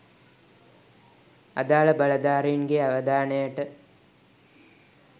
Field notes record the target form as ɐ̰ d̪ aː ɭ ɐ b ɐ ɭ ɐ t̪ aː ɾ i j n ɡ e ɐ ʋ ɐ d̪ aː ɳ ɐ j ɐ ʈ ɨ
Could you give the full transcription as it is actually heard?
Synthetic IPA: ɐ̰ d̪ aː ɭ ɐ b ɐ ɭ ɐ d̪ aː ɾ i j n ɡ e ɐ ʋ ɐ d̪ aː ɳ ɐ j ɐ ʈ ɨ